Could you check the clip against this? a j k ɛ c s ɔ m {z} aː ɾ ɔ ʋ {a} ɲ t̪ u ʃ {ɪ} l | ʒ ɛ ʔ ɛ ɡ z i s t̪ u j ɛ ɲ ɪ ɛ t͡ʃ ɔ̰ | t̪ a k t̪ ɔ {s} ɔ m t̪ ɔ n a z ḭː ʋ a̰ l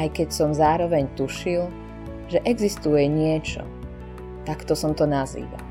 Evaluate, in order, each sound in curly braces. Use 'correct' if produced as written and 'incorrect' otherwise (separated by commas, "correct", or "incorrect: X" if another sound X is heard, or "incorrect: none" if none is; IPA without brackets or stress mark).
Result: correct, incorrect: ɛ, incorrect: i, correct